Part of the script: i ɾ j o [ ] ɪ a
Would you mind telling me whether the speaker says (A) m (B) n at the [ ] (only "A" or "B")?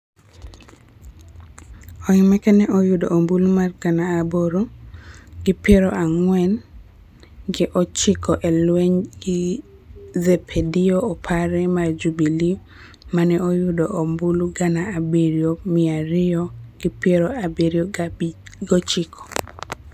A